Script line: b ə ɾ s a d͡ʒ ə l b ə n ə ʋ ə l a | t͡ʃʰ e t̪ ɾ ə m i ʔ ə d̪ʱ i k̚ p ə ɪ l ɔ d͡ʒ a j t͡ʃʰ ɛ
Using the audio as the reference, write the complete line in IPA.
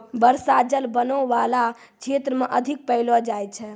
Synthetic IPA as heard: b ə ɾ s a d͡ʒ ə l b ə n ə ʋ a l a | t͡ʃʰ e t̪ ɾ ə m e ʔ ə d̪ʱ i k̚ p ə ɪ l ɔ d͡ʒ a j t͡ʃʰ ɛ